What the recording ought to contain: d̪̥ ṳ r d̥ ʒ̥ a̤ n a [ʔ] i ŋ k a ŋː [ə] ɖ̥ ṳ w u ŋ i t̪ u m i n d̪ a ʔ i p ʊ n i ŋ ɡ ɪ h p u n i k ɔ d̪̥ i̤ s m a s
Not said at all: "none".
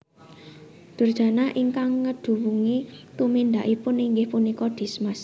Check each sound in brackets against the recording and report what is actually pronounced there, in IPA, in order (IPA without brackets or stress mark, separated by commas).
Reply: ʔ, ə